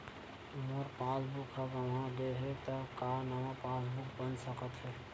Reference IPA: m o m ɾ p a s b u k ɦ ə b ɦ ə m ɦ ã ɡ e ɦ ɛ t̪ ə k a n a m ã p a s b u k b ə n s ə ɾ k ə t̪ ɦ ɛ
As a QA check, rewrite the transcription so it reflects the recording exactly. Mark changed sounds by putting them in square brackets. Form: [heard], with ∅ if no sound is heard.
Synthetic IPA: m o [∅] ɾ p a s b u k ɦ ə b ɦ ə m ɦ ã ɡ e ɦ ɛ t̪ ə k a n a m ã p a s b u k b ə n s ə [∅] k ə t̪ ɦ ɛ